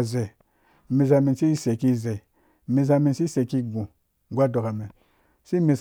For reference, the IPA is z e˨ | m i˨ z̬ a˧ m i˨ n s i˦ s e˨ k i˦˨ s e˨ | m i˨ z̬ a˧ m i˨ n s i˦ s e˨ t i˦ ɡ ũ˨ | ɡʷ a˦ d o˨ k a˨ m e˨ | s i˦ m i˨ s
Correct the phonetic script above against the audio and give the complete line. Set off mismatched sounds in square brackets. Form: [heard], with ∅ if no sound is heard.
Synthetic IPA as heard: z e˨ | m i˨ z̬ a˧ m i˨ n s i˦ s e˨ k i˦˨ [z] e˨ | m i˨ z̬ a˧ m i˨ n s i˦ s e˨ [k] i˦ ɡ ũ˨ | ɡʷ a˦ d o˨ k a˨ m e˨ | s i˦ m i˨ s

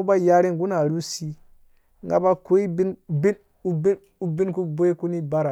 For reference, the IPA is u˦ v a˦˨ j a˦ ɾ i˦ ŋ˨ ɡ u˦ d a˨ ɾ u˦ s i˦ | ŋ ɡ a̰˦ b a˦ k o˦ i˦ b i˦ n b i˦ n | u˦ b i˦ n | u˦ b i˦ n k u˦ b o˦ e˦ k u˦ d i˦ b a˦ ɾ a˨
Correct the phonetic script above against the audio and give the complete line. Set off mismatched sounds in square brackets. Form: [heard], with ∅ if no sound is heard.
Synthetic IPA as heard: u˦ [b] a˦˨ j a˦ ɾ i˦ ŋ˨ ɡ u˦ [n] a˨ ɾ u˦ s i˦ | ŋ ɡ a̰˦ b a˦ k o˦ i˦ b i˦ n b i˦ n | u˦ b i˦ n | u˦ b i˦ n k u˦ b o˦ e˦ k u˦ [n] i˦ b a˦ ɾ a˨

